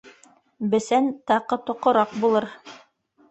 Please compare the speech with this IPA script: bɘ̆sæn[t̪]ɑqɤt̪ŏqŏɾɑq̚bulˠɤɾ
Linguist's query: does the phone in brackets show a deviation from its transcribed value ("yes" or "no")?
no